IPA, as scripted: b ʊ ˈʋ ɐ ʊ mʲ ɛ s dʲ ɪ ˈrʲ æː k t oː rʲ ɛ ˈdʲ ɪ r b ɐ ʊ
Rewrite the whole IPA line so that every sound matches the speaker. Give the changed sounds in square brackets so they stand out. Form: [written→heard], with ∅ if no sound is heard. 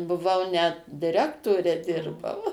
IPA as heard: b ʊ ˈʋ ɐ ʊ [mʲ→nʲ] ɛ [s→t] dʲ ɪ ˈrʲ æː k t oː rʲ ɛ ˈdʲ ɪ r b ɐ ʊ